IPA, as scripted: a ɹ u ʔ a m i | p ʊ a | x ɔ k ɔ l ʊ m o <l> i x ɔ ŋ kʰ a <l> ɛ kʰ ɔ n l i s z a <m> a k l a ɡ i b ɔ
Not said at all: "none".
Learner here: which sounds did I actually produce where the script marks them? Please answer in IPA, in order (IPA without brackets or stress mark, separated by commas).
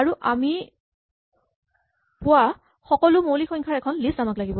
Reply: l, ɹ, m